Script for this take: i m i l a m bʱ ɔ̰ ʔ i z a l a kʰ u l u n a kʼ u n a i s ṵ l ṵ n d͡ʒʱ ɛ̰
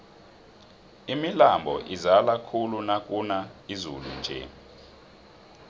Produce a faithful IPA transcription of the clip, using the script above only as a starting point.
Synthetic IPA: i m i l a m bʱ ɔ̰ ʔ i z a l a kʰ u l u n a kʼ u n a i z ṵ l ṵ n d͡ʒʱ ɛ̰